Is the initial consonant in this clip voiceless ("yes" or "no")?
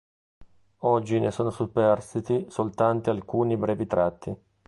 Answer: no